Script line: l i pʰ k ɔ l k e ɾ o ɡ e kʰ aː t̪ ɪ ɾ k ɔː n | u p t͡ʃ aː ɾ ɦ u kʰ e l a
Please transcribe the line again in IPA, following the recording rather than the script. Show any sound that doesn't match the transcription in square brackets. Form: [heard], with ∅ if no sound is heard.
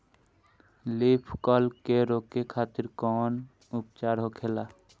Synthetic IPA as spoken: l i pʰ k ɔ l k e ɾ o [k] e kʰ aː t̪ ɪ ɾ k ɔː n | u p t͡ʃ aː ɾ ɦ [o] kʰ e l a